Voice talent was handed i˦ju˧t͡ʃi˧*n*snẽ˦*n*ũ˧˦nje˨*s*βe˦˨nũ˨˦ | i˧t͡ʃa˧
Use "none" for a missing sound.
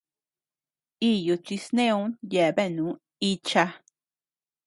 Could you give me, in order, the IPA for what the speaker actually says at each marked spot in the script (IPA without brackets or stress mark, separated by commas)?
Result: none, none, none